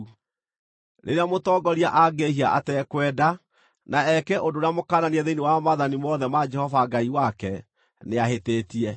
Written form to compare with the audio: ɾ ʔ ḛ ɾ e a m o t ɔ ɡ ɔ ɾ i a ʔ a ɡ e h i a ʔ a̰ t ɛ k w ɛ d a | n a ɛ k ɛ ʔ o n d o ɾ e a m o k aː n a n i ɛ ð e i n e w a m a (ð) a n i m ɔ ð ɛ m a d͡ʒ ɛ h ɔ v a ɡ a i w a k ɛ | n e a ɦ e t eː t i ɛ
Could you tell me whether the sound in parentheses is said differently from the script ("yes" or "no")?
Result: no